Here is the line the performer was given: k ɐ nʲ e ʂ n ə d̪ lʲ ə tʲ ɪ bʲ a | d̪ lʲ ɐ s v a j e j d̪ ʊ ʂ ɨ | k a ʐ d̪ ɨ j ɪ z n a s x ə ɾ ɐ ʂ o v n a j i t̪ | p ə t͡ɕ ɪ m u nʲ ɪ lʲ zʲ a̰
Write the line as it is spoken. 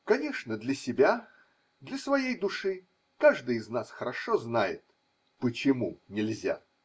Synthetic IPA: k ɐ nʲ e ʂ n ə d̪ lʲ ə sʲ ɪ bʲ a | d̪ lʲ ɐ s v ɐ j e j d̪ ʊ ʂ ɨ | k a ʐ d̪ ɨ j ɪ z n a s x ə ɾ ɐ ʂ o z n a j ɪ t̪ | p ə t͡ɕ ɪ m u nʲ ɪ lʲ zʲ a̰